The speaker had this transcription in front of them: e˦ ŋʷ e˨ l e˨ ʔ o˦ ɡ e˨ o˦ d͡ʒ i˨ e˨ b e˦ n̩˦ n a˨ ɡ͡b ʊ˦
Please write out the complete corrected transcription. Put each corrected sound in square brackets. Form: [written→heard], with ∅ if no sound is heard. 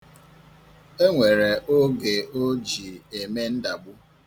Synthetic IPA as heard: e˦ ŋʷ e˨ [l→ɾ] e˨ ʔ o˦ ɡ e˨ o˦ d͡ʒ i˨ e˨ [b→m] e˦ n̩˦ [n→d] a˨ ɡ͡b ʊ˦